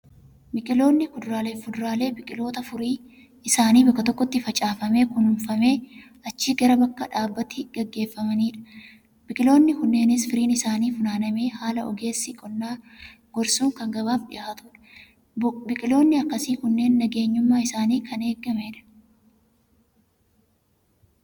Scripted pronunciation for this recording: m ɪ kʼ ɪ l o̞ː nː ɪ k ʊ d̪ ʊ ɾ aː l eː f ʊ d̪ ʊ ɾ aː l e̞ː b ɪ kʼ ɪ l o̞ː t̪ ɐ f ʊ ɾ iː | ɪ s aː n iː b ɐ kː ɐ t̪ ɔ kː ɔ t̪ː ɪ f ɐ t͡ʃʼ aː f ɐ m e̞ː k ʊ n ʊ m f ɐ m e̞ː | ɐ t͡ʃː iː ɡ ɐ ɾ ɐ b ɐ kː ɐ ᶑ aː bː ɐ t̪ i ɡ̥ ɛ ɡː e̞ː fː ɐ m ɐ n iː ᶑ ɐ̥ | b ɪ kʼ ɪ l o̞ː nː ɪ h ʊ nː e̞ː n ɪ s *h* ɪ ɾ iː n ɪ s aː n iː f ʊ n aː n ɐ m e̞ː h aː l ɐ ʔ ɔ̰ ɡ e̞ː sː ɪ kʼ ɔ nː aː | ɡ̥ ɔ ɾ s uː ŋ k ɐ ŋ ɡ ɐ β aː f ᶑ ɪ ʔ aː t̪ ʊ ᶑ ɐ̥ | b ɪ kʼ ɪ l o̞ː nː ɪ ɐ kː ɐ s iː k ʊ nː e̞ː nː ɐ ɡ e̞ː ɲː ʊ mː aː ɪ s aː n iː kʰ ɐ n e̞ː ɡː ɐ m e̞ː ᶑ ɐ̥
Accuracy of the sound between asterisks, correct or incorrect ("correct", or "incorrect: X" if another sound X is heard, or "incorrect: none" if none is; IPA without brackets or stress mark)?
incorrect: f